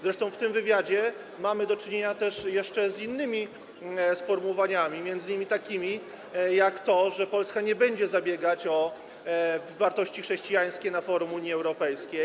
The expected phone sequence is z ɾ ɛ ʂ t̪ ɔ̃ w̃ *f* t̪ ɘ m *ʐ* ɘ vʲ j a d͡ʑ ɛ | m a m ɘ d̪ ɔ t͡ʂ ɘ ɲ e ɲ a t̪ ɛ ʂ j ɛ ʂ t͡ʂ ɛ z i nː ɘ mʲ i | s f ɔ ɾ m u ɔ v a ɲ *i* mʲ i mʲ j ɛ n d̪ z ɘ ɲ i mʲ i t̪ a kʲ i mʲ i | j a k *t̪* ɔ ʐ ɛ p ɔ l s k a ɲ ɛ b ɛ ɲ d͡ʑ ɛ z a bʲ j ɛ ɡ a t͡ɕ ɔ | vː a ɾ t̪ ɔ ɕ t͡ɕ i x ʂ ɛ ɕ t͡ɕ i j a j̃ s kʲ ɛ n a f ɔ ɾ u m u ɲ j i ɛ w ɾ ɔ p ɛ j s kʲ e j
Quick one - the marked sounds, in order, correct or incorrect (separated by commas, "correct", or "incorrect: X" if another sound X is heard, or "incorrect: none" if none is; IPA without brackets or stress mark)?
correct, incorrect: v, incorrect: a, correct